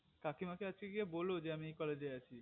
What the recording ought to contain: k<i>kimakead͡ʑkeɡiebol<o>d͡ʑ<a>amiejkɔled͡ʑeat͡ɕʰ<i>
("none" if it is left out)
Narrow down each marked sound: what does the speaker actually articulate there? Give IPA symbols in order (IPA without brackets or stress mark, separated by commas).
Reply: a, o, e, i